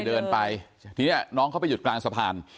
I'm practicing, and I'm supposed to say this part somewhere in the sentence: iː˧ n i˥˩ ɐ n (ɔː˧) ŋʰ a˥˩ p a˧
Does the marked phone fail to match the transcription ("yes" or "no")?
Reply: yes